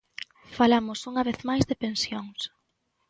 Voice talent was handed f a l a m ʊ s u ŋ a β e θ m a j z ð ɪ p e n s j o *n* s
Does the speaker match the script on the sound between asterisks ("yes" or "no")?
no